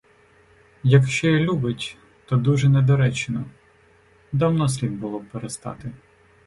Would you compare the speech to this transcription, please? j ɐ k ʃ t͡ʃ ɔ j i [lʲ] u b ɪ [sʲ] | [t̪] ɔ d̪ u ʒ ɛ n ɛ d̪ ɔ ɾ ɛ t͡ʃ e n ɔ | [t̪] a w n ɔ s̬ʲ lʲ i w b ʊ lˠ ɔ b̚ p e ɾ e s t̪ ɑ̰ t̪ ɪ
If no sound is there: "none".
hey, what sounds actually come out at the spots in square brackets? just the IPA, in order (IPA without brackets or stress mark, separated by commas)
lʲ, tʲ, t̪, d̪